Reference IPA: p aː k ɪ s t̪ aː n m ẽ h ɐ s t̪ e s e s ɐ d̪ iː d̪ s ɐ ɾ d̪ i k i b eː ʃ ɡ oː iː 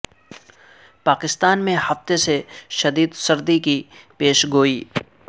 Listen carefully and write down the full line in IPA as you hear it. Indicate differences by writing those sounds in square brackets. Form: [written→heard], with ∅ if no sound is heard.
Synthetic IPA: p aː k ɪ s t̪ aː n m ẽ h ɐ [s→f] t̪ e s e [s→ʃ] ɐ d̪ iː d̪ s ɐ ɾ d̪ i k i [b→p] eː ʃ ɡ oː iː